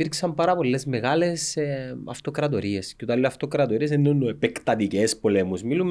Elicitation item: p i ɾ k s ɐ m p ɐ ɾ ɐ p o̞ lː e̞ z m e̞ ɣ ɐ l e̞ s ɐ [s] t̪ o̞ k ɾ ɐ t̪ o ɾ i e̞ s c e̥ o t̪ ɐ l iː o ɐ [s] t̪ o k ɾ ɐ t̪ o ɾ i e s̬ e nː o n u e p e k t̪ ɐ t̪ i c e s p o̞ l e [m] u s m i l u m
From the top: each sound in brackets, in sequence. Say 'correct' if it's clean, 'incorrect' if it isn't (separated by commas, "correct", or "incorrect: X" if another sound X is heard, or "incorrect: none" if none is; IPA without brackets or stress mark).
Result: incorrect: f, incorrect: f, correct